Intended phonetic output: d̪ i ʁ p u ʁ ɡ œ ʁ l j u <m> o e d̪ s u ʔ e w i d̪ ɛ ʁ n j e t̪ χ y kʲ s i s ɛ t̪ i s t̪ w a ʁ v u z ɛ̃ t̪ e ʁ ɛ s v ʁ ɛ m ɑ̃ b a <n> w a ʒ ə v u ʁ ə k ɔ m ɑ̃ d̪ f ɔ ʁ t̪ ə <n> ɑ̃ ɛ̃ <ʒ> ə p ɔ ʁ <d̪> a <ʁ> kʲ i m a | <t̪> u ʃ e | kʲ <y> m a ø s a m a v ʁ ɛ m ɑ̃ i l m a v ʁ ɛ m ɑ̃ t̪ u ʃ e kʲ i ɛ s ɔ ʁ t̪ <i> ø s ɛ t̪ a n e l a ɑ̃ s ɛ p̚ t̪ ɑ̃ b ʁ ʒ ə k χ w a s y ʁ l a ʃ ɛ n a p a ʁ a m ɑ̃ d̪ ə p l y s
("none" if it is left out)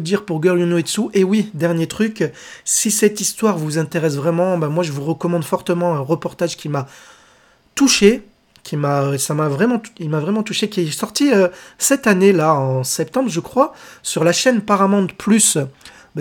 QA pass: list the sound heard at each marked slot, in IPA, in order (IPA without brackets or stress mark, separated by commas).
n, m, m, ʁ, t̪, ʒ, t̪, i, i